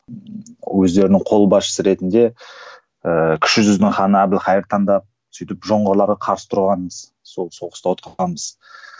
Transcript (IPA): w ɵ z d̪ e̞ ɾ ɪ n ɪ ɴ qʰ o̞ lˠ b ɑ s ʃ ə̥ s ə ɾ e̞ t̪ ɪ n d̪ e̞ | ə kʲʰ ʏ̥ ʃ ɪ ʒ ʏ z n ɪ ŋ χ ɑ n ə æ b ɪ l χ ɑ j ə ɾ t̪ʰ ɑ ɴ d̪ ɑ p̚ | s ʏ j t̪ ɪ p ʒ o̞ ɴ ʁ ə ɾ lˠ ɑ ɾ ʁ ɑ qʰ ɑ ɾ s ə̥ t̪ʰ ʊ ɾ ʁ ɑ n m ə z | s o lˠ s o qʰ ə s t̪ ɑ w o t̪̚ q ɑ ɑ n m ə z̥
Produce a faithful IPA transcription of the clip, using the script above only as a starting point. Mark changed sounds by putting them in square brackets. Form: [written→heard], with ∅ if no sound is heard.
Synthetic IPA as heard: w ɵ z d̪ e̞ ɾ ɪ n ɪ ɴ qʰ o̞ lˠ b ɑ s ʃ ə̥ s ə ɾ e̞ t̪ ɪ n d̪ e̞ | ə kʲʰ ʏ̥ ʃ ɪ ʒ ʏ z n ɪ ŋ χ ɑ n ə æ b ɪ l χ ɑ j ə ɾ t̪ʰ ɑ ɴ d̪ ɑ p̚ | s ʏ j t̪ ɪ p ʒ o̞ ɴ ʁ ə ɾ lˠ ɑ ɾ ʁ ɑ qʰ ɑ ɾ s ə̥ t̪ʰ ʊ ɾ ʁ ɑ n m ə z | s o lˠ s o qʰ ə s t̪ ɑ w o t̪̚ q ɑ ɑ n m ə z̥